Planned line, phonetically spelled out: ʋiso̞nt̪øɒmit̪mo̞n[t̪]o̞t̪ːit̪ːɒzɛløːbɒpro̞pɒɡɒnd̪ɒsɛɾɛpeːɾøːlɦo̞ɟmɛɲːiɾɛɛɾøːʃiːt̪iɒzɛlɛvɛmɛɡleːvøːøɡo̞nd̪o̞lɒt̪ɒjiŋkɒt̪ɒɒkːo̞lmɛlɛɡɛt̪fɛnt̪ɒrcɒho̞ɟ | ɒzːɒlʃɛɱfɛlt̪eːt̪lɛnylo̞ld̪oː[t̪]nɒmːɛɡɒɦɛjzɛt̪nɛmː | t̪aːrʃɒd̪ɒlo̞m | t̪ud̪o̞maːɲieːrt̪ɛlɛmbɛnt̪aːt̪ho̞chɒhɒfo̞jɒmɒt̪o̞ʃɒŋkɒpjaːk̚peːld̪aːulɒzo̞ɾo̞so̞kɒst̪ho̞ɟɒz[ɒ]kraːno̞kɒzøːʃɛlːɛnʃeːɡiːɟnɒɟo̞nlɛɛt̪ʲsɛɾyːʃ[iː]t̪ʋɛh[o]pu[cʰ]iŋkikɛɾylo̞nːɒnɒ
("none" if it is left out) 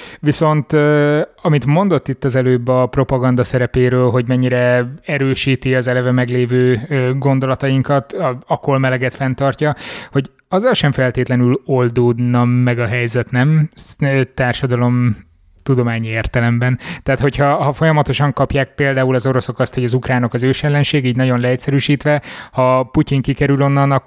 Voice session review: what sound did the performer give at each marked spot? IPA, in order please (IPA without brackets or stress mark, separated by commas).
d̪, d̪, u, iː, ɒ, c